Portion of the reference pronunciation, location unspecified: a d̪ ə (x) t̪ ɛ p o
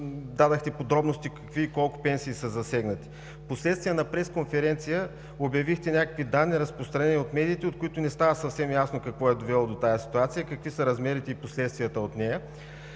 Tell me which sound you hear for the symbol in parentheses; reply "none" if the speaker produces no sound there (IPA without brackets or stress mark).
x